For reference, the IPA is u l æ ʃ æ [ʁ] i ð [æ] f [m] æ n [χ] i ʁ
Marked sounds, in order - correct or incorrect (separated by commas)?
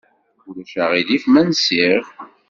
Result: correct, incorrect, correct, incorrect